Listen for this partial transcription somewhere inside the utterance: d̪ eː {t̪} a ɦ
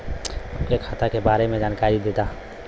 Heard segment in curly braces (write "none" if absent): t̪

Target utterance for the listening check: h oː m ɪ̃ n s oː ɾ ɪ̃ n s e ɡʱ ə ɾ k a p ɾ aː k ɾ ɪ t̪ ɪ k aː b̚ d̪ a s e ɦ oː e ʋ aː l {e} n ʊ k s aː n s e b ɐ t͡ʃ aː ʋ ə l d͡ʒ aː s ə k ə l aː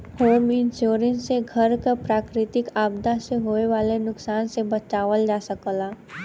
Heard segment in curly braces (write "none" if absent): e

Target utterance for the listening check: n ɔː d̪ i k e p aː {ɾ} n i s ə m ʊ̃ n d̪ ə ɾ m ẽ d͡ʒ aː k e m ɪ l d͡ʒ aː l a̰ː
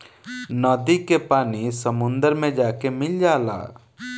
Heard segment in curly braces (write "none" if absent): none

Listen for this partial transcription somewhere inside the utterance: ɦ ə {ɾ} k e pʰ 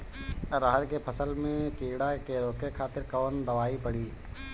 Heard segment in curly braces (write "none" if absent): ɾ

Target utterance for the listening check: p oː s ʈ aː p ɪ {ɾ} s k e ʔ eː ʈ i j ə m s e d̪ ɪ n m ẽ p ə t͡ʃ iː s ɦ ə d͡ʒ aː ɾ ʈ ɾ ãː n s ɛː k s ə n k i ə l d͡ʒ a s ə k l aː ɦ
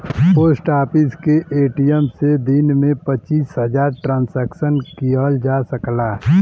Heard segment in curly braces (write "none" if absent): none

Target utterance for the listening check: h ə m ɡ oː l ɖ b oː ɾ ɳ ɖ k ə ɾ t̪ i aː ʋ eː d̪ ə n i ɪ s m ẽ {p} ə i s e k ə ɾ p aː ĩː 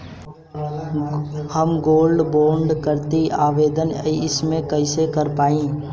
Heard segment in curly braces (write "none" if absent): k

